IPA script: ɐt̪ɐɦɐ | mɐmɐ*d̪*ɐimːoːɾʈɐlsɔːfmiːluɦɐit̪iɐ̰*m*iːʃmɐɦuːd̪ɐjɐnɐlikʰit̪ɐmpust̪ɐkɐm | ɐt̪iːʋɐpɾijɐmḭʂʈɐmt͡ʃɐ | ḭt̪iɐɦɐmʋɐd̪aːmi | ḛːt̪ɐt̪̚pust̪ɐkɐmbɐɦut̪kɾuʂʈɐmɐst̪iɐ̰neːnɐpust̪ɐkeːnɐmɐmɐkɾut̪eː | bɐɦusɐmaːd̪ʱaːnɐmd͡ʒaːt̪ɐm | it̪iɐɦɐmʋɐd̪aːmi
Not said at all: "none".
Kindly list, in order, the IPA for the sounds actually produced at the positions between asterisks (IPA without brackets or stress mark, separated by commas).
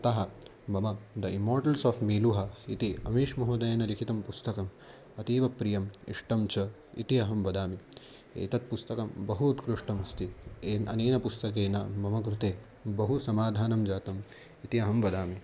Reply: d̪, m